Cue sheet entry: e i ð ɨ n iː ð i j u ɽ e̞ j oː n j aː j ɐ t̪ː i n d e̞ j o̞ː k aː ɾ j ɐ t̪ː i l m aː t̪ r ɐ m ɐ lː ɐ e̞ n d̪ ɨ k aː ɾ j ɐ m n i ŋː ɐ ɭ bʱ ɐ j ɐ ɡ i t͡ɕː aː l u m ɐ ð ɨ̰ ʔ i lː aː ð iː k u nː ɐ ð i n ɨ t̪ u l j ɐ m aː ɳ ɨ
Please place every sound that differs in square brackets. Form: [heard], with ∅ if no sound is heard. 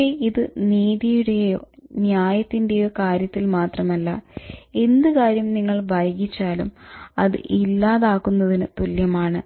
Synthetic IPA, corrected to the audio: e i ð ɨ n iː ð i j u ɽ e̞ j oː n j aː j ɐ t̪ː i n d e̞ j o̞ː k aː ɾ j ɐ t̪ː i l m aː t̪ r ɐ m ɐ lː ɐ e̞ n d̪ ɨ k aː ɾ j ɐ m n i ŋː ɐ ɭ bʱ ɐ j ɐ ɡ i t͡ɕː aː l u m ɐ ð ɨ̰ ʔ i lː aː ð [aː] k u nː ɐ ð i n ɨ t̪ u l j ɐ m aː ɳ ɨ

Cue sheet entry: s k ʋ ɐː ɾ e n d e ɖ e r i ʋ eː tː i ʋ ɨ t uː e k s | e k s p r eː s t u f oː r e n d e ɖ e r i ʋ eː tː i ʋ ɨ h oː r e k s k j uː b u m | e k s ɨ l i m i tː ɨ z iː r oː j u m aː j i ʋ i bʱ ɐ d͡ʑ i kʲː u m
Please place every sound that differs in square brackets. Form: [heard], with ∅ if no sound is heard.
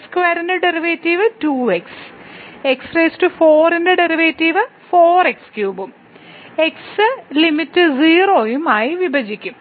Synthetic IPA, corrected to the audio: s k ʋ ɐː ɾ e n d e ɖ e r i ʋ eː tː i ʋ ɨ t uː e k s | e k s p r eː s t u f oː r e n d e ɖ e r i ʋ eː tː i ʋ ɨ [f] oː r e k s k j uː b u m | e k s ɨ l i m i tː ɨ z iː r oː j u m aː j i ʋ i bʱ ɐ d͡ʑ i kʲː u m

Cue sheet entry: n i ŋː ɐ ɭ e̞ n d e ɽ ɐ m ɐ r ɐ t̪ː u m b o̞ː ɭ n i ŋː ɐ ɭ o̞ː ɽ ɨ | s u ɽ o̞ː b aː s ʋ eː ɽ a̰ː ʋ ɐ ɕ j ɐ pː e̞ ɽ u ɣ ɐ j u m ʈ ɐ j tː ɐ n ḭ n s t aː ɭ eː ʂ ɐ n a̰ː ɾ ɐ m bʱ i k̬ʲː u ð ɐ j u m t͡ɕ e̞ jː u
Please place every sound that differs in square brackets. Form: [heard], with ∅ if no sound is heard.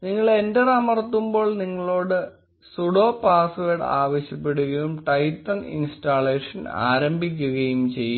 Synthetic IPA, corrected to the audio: n i ŋː ɐ ɭ e̞ n d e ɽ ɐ m ɐ r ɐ t̪ː u m b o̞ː ɭ n i ŋː ɐ ɭ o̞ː ɽ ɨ | s u ɽ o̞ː [p] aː s ʋ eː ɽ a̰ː ʋ ɐ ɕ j ɐ pː e̞ ɽ u ɣ ɐ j u m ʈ ɐ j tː ɐ n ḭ n s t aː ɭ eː ʂ ɐ n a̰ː ɾ ɐ m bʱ i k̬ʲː u [ɣ] ɐ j u m t͡ɕ e̞ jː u

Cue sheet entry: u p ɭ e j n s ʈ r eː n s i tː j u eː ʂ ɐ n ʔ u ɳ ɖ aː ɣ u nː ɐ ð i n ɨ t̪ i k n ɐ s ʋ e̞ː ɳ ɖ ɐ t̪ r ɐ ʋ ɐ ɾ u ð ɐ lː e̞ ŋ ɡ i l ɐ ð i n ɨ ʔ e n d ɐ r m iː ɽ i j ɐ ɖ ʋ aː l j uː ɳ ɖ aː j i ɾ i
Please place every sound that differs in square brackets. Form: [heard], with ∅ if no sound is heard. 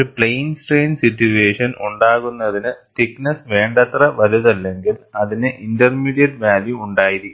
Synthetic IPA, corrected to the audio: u p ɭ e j n s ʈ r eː n s i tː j u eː ʂ ɐ n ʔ u ɳ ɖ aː ɣ u nː ɐ ð i n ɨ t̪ i k n ɐ s ʋ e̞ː ɳ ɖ ɐ t̪ r ɐ ʋ ɐ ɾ u ð ɐ lː e̞ ŋ ɡ i l ɐ ð i n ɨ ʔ [i] n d ɐ r m iː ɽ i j ɐ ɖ ʋ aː l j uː ɳ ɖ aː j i ɾ i

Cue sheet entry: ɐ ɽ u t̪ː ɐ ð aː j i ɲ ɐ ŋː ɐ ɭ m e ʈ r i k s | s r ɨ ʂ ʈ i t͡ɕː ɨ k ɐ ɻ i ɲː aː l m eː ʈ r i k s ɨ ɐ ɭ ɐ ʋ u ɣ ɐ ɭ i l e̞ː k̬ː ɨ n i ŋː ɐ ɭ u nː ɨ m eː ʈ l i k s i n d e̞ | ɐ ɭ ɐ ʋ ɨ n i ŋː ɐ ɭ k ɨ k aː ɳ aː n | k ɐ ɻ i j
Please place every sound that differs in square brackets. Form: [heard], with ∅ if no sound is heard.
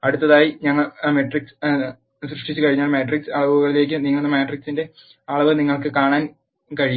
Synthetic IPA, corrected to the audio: ɐ ɽ u t̪ː ɐ ð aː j i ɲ ɐ ŋː ɐ ɭ m e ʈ r i k s | s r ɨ ʂ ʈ i t͡ɕː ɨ k ɐ ɻ i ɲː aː l m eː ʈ r i k s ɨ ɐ ɭ ɐ ʋ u ɣ ɐ ɭ i l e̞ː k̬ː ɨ n i ŋː ɐ ɭ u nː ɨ m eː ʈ [r] i k s i n d e̞ | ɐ ɭ ɐ ʋ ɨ n i ŋː ɐ ɭ k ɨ k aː ɳ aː n | k ɐ ɻ i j

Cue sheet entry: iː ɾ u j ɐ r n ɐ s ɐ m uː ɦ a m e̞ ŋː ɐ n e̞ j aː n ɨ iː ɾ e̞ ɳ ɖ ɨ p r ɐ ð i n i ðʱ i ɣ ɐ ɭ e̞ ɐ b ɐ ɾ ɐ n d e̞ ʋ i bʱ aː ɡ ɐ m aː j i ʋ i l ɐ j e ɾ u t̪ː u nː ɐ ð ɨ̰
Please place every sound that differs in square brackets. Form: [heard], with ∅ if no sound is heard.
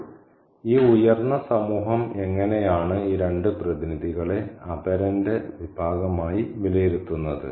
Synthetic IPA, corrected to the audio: iː [∅] u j ɐ r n ɐ s ɐ m uː ɦ [ɐ] m e̞ ŋː ɐ n e̞ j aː [ɳ] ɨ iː ɾ e̞ ɳ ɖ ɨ p r ɐ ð i n i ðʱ i ɣ ɐ ɭ e̞ ɐ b ɐ ɾ ɐ n d e̞ ʋ i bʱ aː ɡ ɐ m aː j i ʋ i l ɐ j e ɾ u t̪ː u nː ɐ ð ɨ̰

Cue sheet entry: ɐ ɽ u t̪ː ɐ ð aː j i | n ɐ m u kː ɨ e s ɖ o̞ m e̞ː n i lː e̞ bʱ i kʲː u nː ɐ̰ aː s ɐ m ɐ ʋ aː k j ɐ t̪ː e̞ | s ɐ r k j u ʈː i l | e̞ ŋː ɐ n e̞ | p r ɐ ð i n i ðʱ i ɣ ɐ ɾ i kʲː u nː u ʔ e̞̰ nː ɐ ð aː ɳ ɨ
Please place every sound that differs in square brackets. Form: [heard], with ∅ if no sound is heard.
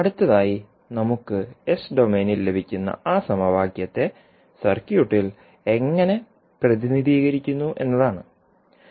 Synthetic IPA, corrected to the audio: ɐ ɽ u t̪ː ɐ ð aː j i | n ɐ m u kː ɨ e s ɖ o̞ m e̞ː n i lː e̞ bʱ i kʲː u nː ɐ̰ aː s ɐ m ɐ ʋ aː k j ɐ t̪ː e̞ | s ɐ r k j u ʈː i l | e̞ ŋː ɐ n e̞ | p r ɐ ð i n i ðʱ [iː] ɣ ɐ ɾ i kʲː u nː u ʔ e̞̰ nː ɐ ð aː ɳ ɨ

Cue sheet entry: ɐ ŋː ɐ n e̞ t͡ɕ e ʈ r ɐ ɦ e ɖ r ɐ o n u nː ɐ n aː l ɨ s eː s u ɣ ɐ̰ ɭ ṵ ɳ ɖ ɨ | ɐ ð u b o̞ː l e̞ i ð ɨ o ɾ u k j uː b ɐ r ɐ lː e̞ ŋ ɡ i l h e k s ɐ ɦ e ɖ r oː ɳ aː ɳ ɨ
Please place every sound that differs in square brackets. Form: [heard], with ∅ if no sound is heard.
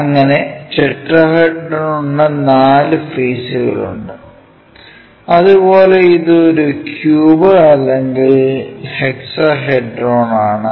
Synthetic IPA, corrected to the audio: ɐ ŋː ɐ n e̞ t͡ɕ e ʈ r ɐ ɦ e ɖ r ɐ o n u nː ɐ n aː l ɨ [f] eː s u ɣ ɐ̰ ɭ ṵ ɳ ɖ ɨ | ɐ ð u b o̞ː l e̞ i ð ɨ o ɾ u k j uː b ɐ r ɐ lː e̞ ŋ ɡ i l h e k s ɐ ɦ e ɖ r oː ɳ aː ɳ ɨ

